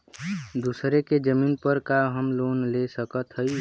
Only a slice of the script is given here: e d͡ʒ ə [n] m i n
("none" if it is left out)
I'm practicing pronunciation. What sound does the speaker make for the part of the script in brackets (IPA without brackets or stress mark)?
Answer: none